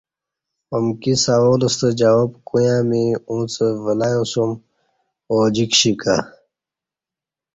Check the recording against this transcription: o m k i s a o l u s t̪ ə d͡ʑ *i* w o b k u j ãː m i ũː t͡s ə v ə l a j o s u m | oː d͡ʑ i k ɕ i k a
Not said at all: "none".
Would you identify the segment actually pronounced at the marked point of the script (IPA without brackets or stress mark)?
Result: a